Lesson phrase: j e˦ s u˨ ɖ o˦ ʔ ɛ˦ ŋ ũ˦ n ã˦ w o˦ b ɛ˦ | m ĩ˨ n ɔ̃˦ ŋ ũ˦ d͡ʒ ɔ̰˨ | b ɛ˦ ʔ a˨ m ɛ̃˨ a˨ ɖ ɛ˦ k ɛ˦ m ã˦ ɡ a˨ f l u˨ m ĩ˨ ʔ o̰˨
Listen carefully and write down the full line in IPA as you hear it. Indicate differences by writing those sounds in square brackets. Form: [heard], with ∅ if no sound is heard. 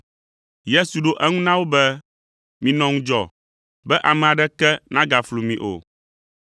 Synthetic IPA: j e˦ s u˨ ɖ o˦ ʔ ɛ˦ ŋ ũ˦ n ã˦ w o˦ b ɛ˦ | m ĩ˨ n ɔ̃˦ ŋ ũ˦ d͡ʒ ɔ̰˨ | b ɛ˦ ʔ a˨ m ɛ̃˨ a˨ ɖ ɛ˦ k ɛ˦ [n] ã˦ ɡ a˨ f l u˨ m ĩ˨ ʔ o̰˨